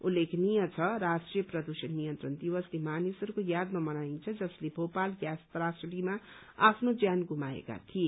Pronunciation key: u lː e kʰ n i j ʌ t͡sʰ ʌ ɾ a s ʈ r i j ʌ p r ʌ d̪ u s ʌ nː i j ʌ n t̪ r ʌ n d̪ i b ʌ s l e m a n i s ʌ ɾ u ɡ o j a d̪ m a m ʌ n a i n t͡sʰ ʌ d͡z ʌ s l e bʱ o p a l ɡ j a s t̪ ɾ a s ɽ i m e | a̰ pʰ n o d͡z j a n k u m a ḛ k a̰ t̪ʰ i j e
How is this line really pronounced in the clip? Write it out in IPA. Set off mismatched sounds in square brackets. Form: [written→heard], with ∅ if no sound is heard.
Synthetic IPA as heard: u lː e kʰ n i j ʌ t͡sʰ ʌ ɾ a s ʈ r i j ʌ p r ʌ d̪ u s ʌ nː i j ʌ n t̪ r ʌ n d̪ i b ʌ s l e m a n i s ʌ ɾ u [ɡ→k] o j a d̪ m a m ʌ n a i n t͡sʰ ʌ d͡z ʌ s l e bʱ o p a l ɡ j a s t̪ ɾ a s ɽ i m [e→a] | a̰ pʰ n o d͡z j a n [k→ɡ] u m a ḛ k a̰ t̪ʰ i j e